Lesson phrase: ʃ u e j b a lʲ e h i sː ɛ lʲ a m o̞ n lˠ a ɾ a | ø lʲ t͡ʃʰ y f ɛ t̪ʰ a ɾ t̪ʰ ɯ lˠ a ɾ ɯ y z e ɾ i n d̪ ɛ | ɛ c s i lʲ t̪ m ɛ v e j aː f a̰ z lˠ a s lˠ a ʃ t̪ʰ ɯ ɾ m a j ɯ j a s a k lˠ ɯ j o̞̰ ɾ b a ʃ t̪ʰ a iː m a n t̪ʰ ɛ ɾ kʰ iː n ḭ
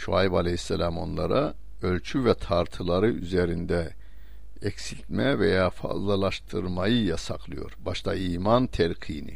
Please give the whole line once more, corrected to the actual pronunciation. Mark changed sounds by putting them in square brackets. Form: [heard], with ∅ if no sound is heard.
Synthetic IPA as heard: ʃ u [a] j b a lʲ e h i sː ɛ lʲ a m o̞ n lˠ a ɾ a | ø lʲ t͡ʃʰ y [v] ɛ t̪ʰ a ɾ t̪ʰ ɯ lˠ a ɾ ɯ y z e ɾ i n d̪ ɛ | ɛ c s i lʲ t̪ m ɛ v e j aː f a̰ z lˠ a [∅] lˠ a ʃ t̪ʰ ɯ ɾ m a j ɯ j a s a k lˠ ɯ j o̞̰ ɾ b a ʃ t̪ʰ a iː m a n t̪ʰ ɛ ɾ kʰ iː n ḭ